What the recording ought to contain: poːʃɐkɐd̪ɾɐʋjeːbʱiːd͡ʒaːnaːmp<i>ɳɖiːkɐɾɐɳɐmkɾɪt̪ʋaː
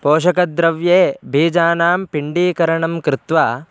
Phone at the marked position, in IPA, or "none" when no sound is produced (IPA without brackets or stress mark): i